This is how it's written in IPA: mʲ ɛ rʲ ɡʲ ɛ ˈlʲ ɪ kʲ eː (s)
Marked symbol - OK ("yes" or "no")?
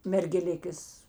yes